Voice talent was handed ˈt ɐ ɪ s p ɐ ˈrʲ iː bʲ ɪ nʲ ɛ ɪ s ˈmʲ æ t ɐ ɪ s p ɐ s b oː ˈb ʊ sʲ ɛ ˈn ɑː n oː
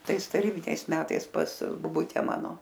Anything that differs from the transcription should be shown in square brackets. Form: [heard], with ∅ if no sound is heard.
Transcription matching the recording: ˈt ɐ ɪ s [t] ɐ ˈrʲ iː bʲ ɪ nʲ ɛ ɪ s ˈmʲ [æː] t ɐ ɪ s p ɐ s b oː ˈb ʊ [tʲ] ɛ [ˈm] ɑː n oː